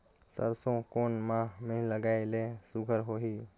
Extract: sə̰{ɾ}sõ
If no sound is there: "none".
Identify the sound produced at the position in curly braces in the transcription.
ɾ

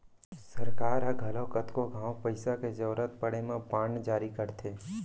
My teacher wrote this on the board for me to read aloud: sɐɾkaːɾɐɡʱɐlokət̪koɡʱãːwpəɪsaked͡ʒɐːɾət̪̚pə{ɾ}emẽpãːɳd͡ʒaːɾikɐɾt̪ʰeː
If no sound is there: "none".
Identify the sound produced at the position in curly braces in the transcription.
ɽ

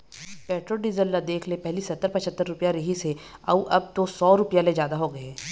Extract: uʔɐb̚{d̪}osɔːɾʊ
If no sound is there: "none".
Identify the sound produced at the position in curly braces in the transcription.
t̪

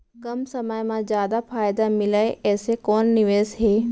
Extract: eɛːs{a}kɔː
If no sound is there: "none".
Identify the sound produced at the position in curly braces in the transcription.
e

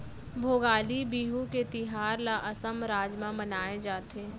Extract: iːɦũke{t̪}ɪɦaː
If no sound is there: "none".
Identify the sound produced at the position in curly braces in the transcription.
t̪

